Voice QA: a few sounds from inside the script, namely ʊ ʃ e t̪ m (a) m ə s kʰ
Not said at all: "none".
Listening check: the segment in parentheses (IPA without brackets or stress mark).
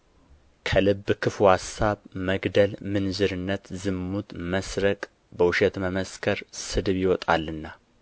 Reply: ə